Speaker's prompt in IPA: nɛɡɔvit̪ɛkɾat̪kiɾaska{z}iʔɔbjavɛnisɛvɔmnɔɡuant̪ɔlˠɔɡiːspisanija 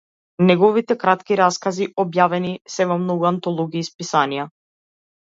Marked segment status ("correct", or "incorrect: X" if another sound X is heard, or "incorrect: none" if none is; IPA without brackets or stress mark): correct